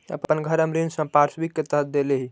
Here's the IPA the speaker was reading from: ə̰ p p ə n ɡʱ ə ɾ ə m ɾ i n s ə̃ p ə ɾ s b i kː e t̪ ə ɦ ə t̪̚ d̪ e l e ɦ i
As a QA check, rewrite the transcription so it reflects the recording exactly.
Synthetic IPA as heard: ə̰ p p ə n ɡʱ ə ɾ ə m ɾ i n s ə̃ p a ɾ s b i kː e t̪ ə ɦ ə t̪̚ d̪ e l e ɦ i